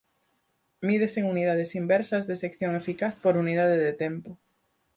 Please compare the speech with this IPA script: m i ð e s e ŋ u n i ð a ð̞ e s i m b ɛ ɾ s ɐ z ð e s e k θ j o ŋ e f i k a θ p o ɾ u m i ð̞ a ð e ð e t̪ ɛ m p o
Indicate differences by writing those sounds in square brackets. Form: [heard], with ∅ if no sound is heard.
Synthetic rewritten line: m i ð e s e ŋ u n i ð a ð̞ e s i m b ɛ ɾ s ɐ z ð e s e k θ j o ŋ e f i k a θ p o ɾ u [n] i ð̞ a ð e ð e t̪ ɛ m p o